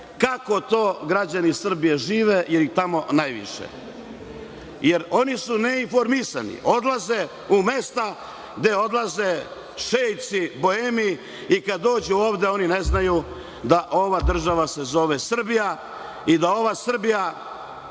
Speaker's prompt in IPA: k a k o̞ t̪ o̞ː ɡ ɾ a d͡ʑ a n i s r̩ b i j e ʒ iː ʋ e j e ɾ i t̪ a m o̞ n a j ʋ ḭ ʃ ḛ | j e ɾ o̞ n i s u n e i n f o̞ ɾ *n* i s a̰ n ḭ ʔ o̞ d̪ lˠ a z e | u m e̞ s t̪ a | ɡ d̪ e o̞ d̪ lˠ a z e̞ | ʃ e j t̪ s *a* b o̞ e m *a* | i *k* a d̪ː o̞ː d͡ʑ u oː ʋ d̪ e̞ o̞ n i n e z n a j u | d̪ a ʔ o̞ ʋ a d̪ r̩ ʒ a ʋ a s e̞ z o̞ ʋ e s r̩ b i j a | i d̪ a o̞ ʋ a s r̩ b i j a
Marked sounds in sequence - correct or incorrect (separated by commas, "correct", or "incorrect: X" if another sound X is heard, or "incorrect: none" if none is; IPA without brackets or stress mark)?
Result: incorrect: m, incorrect: i, incorrect: i, correct